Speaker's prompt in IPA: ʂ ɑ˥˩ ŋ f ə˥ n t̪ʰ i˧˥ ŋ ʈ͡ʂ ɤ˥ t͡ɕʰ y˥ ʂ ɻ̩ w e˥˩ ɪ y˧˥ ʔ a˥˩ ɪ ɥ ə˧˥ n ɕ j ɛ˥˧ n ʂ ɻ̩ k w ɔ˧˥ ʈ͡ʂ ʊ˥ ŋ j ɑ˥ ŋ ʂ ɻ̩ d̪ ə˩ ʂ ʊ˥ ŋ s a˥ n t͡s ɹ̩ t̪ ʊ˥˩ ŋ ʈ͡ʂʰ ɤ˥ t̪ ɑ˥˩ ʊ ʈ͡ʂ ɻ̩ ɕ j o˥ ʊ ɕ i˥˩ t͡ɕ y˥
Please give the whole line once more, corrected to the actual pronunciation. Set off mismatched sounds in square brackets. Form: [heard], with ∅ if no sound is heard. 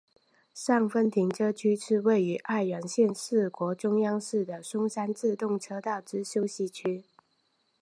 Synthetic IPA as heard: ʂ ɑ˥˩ ŋ f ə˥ n t̪ʰ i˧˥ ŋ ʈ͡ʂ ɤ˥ t͡ɕʰ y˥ ʂ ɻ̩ w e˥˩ ɪ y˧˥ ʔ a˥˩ ɪ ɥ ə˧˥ n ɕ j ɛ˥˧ n ʂ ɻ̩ k w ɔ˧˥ ʈ͡ʂ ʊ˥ ŋ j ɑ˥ ŋ ʂ ɻ̩ d̪ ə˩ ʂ ʊ˥ ŋ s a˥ n t͡s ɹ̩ t̪ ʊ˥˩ ŋ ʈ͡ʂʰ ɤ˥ t̪ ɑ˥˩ ʊ ʈ͡ʂ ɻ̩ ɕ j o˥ ʊ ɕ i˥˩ [t͡ɕʰ] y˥

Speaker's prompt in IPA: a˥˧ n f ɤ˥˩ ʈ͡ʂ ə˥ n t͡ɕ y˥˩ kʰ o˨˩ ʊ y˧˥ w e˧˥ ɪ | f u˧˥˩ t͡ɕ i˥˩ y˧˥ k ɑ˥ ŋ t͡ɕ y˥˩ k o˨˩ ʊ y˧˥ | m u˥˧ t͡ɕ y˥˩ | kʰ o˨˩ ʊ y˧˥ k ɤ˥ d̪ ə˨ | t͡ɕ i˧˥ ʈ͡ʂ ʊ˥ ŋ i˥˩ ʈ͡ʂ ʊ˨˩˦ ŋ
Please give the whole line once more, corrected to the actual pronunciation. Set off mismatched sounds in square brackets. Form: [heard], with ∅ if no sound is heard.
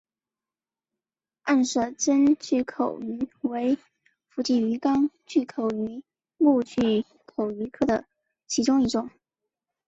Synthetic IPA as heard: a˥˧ n [ʂ] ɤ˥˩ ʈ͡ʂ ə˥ n t͡ɕ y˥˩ kʰ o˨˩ ʊ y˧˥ w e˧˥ ɪ | f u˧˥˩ t͡ɕ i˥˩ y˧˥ k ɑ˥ ŋ t͡ɕ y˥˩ [kʰ] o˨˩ ʊ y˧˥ | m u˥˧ t͡ɕ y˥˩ | kʰ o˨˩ ʊ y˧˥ [kʰ] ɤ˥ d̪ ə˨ | [t͡ɕʰ] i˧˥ ʈ͡ʂ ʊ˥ ŋ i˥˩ ʈ͡ʂ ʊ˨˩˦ ŋ

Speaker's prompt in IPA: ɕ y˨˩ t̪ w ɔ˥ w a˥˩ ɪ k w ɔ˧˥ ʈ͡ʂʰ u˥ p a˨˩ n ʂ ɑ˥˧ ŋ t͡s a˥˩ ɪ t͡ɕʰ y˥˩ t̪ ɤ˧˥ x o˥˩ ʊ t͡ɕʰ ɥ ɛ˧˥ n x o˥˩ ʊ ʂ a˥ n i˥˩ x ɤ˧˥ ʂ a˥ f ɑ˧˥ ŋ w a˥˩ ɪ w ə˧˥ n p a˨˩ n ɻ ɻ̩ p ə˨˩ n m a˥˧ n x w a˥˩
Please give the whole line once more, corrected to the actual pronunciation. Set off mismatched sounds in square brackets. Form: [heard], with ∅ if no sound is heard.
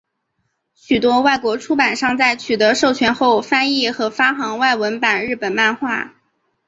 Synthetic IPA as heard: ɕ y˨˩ t̪ w ɔ˥ w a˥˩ ɪ k w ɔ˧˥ ʈ͡ʂʰ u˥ p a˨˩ n ʂ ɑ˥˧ ŋ t͡s a˥˩ ɪ t͡ɕʰ [y˨˩] t̪ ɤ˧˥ [ʂ] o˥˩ ʊ t͡ɕʰ ɥ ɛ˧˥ n x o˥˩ ʊ [f] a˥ n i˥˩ x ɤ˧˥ [f] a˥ [x] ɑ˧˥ ŋ w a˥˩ ɪ w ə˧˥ n p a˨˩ n ɻ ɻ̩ p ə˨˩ n m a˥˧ n x w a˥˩

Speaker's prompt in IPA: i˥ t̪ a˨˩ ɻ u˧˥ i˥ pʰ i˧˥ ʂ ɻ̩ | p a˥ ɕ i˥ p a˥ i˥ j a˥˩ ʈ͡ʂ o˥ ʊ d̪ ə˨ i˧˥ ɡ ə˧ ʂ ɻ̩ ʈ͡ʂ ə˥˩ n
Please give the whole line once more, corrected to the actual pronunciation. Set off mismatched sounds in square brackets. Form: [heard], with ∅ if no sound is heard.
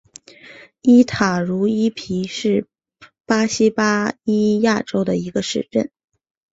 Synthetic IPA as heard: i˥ [t̪ʰ] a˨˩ ɻ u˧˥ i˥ pʰ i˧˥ ʂ ɻ̩ | p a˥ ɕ i˥ p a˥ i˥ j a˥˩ ʈ͡ʂ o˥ ʊ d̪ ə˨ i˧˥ ɡ ə˧ ʂ ɻ̩ ʈ͡ʂ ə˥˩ n

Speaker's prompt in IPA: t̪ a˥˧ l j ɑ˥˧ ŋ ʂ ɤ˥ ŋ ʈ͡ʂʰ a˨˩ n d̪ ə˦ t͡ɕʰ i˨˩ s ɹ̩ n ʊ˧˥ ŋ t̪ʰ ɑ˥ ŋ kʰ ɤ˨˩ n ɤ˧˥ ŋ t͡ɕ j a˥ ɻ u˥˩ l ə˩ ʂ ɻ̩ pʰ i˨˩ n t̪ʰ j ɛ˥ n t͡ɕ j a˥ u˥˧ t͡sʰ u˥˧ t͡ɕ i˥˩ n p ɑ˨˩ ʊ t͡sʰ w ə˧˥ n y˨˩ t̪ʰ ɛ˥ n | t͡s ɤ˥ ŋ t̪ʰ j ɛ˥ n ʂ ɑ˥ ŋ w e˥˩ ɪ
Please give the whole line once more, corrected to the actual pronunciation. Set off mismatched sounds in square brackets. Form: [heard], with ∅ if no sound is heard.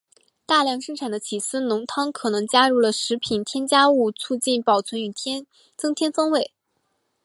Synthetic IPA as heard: t̪ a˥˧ l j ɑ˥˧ ŋ ʂ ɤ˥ ŋ ʈ͡ʂʰ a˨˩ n d̪ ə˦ t͡ɕʰ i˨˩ s ɹ̩ n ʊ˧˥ ŋ t̪ʰ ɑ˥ ŋ kʰ ɤ˨˩ n ɤ˧˥ ŋ t͡ɕ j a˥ ɻ u˥˩ l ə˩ ʂ ɻ̩ pʰ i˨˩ n t̪ʰ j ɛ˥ n t͡ɕ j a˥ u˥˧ t͡sʰ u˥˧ t͡ɕ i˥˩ n p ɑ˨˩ ʊ t͡sʰ w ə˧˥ n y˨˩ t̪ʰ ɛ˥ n | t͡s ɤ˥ ŋ t̪ʰ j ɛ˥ n [f] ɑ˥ ŋ w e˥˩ ɪ

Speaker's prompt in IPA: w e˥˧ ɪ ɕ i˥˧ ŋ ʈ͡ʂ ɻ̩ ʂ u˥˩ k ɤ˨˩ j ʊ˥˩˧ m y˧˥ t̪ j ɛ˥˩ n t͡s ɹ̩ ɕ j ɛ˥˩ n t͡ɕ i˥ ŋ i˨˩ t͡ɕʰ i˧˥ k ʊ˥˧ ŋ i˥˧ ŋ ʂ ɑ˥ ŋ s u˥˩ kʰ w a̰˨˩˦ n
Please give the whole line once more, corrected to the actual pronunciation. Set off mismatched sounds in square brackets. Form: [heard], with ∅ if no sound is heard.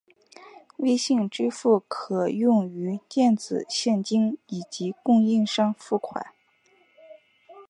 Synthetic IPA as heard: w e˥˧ ɪ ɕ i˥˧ ŋ ʈ͡ʂ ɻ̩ [f] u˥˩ [kʰ] ɤ˨˩ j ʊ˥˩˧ [ŋ] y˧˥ t̪ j ɛ˥˩ n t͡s ɹ̩ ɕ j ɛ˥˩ n t͡ɕ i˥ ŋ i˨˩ [t͡ɕ] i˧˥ k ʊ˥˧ ŋ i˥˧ ŋ ʂ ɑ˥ ŋ [f] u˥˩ kʰ w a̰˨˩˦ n

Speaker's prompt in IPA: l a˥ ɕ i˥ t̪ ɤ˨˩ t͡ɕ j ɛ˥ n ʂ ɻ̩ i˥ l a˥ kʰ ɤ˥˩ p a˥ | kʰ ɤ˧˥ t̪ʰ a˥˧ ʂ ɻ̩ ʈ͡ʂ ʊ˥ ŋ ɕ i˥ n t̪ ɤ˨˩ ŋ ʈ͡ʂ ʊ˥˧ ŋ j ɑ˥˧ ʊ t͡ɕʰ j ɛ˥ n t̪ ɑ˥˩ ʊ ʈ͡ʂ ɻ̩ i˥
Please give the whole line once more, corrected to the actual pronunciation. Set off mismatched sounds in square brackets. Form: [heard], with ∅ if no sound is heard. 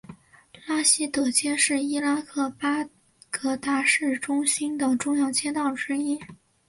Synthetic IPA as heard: l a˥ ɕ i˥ t̪ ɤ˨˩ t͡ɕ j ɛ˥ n ʂ ɻ̩ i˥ l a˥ kʰ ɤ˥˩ p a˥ | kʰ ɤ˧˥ [t̪] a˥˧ ʂ ɻ̩ ʈ͡ʂ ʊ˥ ŋ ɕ i˥ n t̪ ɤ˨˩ ŋ ʈ͡ʂ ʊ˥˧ ŋ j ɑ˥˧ ʊ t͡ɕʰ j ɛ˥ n t̪ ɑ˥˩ ʊ ʈ͡ʂ ɻ̩ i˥

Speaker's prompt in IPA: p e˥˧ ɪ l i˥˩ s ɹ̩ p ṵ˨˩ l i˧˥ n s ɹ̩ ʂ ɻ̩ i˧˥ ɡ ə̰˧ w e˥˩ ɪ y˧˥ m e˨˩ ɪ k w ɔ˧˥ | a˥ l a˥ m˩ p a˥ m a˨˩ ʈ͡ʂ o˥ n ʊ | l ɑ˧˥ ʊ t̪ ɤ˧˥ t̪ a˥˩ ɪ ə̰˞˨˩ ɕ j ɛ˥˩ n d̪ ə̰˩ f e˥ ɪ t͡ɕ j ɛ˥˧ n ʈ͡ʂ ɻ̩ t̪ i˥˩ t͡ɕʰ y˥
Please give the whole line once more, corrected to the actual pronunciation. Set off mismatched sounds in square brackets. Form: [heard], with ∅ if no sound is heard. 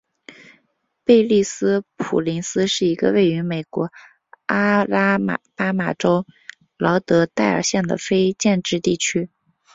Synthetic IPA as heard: p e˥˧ ɪ l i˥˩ s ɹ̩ [pʰ] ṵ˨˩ l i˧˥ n s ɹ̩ ʂ ɻ̩ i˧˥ ɡ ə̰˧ w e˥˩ ɪ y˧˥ m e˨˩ ɪ k w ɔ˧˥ | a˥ l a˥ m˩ p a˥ m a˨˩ ʈ͡ʂ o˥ [∅] ʊ | l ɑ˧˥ ʊ t̪ ɤ˧˥ t̪ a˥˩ ɪ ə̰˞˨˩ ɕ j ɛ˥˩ n d̪ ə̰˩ f e˥ ɪ t͡ɕ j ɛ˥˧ n ʈ͡ʂ ɻ̩ t̪ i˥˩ t͡ɕʰ y˥

